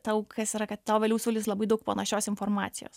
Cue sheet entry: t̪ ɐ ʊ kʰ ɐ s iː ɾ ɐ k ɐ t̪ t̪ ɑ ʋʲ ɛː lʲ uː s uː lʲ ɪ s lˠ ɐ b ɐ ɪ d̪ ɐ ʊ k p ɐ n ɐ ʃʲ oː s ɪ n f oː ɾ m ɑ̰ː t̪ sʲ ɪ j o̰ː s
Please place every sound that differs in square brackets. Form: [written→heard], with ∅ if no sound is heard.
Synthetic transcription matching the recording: t̪ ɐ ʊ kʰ ɐ s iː ɾ ɐ k ɐ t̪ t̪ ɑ ʋʲ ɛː lʲ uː s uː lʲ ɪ s lˠ ɐ b ɐ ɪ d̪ ɐ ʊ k p ɐ n ɐ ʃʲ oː s ɪ n f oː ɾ m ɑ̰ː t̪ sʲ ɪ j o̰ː s